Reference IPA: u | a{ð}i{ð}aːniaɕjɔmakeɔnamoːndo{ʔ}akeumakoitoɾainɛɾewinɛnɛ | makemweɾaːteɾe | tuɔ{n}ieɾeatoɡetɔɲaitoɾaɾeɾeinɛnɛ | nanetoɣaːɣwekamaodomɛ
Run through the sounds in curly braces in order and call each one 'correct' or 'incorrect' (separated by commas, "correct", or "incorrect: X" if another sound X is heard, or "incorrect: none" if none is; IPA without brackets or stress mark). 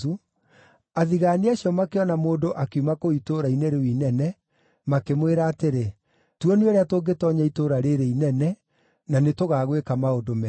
correct, incorrect: ɣ, correct, correct